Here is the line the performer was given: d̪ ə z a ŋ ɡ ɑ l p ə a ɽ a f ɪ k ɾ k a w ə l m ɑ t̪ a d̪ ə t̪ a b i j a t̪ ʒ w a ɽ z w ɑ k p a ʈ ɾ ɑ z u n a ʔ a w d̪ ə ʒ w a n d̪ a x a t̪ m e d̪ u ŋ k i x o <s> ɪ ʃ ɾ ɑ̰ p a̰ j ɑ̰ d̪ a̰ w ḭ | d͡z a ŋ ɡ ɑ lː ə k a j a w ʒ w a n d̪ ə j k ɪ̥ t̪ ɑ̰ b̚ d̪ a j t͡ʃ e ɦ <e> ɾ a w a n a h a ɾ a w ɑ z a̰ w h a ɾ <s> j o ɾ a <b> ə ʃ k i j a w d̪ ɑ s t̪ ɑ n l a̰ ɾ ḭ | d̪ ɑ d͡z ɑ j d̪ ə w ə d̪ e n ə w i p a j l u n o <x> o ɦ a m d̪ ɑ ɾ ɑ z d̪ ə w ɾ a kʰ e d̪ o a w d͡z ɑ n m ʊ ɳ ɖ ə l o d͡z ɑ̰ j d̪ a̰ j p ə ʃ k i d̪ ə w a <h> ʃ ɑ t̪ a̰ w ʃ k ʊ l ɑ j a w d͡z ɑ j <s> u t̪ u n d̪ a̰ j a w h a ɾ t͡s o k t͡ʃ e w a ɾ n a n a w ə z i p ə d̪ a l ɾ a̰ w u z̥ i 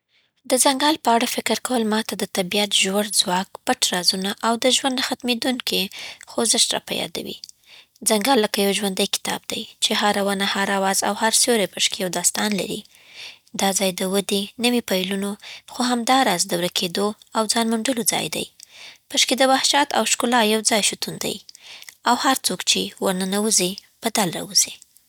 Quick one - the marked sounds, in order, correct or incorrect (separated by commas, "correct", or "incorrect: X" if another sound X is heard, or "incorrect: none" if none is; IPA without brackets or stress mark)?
incorrect: z, incorrect: a, correct, incorrect: p, correct, correct, incorrect: ʃ